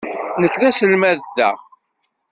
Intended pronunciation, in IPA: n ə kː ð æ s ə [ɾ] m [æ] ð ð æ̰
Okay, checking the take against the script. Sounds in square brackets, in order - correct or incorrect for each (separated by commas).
incorrect, correct